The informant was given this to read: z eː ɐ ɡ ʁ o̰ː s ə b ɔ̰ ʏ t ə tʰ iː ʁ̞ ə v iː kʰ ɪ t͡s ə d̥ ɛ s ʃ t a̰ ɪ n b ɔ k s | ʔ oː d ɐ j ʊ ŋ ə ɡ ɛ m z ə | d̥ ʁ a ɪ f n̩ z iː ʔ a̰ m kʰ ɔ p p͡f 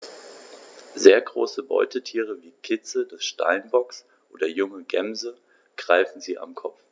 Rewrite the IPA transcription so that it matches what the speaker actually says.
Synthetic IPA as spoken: z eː ɐ ɡ ʁ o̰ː s ə b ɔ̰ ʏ t ə tʰ iː ʁ̞ ə v iː kʰ ɪ t͡s ə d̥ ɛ s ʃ t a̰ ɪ n b ɔ k s | ʔ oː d ɐ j ʊ ŋ ə ɡ ɛ m z ə | ɡ̥ ʁ a ɪ f n̩ z iː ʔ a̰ m kʰ ɔ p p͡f